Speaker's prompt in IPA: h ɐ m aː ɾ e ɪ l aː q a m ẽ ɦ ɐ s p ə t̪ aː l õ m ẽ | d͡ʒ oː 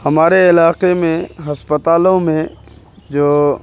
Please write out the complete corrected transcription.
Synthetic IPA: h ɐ m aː ɾ e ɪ l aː q e m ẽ ɦ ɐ s p ə t̪ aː l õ m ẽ | d͡ʒ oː